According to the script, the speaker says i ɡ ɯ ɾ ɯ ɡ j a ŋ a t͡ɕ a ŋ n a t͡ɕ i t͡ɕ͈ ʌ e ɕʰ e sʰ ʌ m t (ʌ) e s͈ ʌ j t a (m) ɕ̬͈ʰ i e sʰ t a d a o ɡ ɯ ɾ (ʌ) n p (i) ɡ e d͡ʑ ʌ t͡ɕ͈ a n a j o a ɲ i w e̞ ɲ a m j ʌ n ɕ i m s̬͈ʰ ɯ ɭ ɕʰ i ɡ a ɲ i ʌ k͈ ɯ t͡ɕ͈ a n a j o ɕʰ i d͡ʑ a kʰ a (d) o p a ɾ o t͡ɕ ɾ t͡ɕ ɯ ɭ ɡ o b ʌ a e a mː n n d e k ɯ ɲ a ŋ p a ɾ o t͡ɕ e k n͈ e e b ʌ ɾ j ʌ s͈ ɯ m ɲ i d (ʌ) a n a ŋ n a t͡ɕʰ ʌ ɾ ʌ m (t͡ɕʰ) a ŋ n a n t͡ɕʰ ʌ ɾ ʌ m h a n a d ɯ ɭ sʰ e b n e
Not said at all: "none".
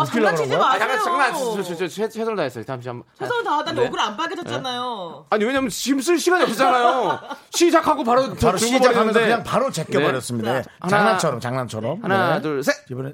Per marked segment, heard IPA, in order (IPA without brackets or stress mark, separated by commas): a, m, a, a, ɡ, a, t͡ɕ